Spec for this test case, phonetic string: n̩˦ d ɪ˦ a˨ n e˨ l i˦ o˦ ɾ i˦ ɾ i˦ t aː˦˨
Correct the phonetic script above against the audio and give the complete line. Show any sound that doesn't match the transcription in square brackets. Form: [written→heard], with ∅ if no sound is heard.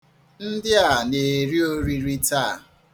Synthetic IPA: n̩˦ d ɪ˦ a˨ n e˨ [l→ɾ] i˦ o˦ ɾ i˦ ɾ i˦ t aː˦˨

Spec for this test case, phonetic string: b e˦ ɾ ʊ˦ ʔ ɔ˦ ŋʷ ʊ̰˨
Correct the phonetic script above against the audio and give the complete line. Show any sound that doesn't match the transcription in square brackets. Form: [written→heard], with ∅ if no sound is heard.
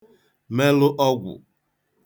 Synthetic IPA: [b→m] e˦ [ɾ→l] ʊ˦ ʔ ɔ˦ [ŋʷ→ɡʷ] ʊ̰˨

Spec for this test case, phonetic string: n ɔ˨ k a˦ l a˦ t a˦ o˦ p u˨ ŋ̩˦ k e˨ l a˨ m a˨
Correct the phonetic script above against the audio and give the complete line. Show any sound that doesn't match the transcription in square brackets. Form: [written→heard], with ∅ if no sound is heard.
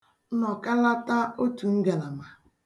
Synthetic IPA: n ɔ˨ k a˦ l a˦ t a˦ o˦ [p→t] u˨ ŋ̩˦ [k→ɡ] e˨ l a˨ m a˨

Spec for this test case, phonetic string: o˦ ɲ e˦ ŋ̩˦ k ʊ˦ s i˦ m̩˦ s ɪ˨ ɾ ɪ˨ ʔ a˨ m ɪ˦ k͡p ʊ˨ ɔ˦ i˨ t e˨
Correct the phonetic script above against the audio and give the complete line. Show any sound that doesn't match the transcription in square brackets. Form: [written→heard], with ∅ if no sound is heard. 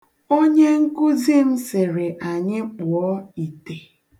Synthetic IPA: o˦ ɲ e˦ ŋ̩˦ k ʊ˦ [s→z] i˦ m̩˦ s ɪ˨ ɾ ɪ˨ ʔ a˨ [m→ɲ] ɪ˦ k͡p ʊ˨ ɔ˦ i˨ t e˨

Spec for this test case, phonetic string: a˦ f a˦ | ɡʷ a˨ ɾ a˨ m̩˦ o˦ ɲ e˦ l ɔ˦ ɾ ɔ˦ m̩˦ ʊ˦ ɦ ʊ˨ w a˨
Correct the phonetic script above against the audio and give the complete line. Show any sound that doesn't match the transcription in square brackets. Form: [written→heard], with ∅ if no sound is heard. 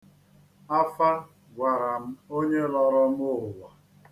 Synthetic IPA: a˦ f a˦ | ɡʷ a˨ ɾ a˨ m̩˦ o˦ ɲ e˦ l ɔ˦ ɾ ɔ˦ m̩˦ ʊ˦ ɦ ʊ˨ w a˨

